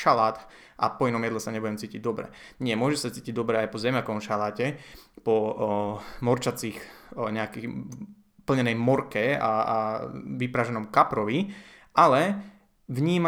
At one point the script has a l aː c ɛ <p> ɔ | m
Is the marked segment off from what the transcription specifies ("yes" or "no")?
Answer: no